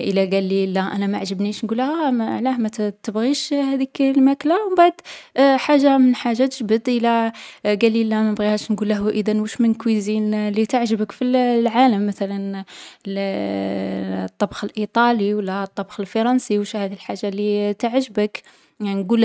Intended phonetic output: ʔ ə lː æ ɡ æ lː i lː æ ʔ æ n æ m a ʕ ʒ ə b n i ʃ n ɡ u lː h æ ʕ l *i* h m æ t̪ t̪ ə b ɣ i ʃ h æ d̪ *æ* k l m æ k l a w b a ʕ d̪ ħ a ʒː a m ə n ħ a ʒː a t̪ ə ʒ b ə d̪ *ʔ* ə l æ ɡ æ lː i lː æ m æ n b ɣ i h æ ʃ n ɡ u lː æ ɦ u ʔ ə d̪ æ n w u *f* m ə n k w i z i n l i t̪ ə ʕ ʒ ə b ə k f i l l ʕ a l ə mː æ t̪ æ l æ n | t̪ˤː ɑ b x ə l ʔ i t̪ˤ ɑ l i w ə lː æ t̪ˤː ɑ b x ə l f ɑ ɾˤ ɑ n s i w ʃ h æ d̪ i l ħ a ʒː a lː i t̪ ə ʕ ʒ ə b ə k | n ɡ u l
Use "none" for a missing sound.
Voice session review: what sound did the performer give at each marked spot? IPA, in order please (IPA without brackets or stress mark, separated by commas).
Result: æ, i, ʔ, ʃ